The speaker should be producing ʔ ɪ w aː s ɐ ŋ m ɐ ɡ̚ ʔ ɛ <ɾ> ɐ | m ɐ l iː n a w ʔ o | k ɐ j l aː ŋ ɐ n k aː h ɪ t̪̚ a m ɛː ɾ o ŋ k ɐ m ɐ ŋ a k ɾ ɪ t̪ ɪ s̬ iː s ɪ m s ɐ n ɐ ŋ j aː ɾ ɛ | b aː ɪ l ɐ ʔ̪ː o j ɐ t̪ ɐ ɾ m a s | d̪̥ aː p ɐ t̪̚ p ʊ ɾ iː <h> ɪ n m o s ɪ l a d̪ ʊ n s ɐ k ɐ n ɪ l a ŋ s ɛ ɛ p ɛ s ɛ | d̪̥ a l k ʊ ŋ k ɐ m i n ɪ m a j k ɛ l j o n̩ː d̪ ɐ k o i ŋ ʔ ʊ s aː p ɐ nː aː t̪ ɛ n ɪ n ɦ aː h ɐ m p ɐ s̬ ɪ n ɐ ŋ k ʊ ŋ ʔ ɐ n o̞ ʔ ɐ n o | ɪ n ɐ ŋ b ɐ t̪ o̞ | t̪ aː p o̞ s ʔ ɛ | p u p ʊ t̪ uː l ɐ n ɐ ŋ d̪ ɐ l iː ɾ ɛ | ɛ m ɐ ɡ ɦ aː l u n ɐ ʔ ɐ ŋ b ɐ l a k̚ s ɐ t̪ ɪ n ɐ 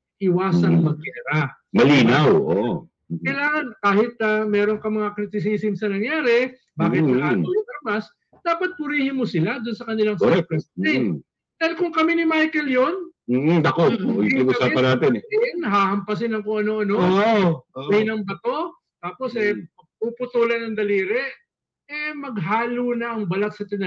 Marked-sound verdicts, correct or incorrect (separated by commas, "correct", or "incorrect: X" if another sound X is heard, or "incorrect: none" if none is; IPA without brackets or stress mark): correct, correct